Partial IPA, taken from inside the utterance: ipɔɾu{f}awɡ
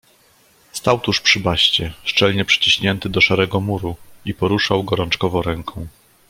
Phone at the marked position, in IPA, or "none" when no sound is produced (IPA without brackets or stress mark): ʂ